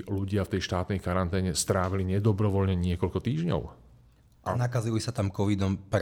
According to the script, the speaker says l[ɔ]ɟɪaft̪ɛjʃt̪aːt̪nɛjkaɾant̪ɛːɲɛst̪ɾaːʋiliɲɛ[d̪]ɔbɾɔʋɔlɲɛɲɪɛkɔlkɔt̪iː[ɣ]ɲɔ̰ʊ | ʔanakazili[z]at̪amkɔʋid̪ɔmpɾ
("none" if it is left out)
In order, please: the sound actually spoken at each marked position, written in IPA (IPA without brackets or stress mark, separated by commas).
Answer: u, d̪, ʒ, s